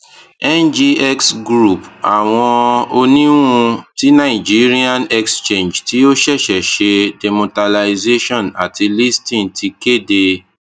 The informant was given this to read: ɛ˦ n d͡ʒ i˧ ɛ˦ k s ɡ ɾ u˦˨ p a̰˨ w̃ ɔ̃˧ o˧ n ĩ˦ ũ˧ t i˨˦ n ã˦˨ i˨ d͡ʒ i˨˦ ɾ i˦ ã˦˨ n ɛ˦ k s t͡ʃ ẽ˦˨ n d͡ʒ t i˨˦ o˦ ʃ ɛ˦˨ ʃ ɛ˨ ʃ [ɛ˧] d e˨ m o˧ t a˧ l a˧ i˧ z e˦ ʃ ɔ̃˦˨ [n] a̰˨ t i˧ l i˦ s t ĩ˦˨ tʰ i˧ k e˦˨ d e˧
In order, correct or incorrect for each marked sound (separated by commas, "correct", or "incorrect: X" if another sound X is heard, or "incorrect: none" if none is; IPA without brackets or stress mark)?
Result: incorrect: e˧, correct